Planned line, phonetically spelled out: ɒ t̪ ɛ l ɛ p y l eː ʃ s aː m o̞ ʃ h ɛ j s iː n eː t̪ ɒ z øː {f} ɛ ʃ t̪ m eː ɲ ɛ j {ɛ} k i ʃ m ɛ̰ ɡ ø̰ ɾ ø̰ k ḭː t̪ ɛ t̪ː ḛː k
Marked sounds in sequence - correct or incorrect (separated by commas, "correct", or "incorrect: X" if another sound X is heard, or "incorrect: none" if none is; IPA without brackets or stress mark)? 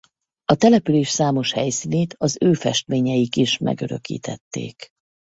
correct, incorrect: i